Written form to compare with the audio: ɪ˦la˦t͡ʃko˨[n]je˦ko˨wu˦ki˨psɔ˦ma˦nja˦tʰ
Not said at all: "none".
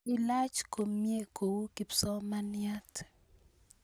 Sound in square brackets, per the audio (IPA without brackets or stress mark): m